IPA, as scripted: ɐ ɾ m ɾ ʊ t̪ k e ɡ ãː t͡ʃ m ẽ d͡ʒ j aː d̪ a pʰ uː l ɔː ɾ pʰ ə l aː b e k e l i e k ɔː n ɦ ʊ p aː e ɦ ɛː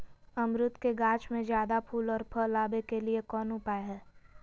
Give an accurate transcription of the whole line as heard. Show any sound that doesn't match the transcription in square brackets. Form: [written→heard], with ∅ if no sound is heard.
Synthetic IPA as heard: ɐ [ɾ→∅] m ɾ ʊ t̪ k e ɡ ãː t͡ʃ m ẽ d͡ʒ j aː d̪ a pʰ uː l ɔː ɾ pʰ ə l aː b e k e l i e k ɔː n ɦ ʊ p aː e ɦ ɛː